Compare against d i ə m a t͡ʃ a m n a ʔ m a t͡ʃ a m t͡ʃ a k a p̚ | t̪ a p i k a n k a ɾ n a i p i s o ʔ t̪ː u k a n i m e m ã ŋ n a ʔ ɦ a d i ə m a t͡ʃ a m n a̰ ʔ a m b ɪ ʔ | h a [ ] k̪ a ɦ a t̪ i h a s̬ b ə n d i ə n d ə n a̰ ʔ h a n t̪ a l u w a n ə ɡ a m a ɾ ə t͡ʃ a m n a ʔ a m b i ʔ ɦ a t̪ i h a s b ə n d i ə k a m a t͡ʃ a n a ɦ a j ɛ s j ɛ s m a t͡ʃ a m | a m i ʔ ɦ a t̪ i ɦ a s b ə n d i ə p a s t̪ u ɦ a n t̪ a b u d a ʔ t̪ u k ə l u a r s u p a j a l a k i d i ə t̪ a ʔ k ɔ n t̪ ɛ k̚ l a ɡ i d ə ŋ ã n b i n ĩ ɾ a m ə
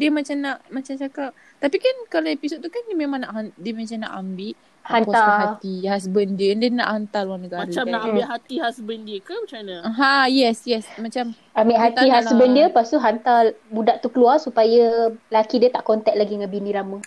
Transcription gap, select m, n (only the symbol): n